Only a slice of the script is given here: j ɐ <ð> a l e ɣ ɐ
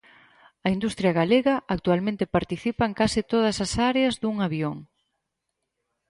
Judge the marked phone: incorrect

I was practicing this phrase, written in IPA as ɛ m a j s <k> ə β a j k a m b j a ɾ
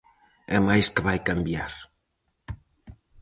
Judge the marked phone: correct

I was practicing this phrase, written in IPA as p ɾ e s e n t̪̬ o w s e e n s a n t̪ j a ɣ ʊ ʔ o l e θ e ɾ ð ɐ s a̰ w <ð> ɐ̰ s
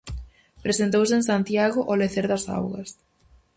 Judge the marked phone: incorrect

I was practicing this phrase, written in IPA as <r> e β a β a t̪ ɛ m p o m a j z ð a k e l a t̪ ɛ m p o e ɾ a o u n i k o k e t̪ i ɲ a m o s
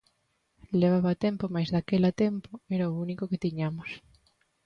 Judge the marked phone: incorrect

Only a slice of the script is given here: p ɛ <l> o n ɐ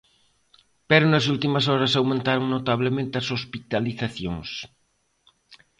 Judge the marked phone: incorrect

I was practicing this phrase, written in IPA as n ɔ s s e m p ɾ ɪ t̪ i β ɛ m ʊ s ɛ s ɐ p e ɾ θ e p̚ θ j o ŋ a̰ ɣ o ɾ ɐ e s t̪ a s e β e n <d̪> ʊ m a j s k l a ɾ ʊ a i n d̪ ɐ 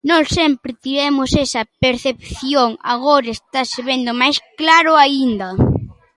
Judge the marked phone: correct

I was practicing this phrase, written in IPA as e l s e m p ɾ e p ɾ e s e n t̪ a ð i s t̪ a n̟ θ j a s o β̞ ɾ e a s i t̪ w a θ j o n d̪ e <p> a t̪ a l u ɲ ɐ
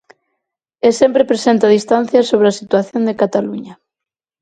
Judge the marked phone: incorrect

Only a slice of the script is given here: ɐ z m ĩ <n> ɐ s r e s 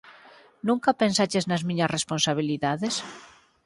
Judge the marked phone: incorrect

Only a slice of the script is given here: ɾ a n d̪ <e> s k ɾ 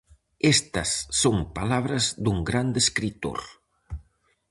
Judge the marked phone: correct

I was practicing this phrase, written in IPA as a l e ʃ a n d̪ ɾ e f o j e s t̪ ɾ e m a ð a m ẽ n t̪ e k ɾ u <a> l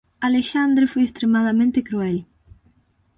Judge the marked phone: incorrect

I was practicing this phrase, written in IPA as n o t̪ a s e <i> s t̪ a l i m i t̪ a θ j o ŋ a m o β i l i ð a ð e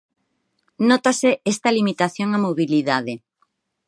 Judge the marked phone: incorrect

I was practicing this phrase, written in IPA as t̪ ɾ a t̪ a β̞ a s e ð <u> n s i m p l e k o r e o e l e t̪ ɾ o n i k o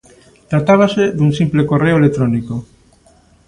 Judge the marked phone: correct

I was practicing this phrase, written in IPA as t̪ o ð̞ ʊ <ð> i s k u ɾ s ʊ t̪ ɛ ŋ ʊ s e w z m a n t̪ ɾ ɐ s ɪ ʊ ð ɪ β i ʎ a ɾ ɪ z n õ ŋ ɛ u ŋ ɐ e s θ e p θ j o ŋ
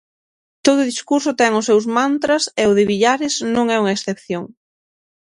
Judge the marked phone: correct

